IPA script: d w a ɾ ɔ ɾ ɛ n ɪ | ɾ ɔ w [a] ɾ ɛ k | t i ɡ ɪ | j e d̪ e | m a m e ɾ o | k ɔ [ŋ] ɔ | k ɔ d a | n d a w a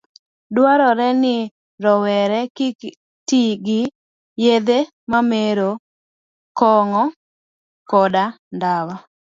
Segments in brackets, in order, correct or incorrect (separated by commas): incorrect, correct